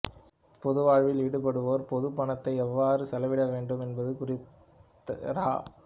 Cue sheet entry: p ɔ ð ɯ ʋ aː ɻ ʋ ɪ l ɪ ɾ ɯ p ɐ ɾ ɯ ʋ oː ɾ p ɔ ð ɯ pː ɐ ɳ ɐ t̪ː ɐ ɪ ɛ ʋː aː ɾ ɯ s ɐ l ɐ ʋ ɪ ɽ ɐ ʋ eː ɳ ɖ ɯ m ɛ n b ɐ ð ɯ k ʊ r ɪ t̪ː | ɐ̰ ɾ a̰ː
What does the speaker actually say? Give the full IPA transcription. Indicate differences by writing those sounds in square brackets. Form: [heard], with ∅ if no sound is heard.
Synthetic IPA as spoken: p ɔ ð ɯ ʋ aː ɻ ʋ ɪ l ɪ [ɽ] ɯ p ɐ [ɽ] ɯ ʋ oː ɾ p ɔ ð ɯ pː ɐ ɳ ɐ t̪ː ɐ ɪ ɛ ʋː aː ɾ ɯ s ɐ l ɐ ʋ ɪ ɽ ɐ ʋ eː ɳ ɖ ɯ m ɛ n b ɐ ð ɯ k ʊ r ɪ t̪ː | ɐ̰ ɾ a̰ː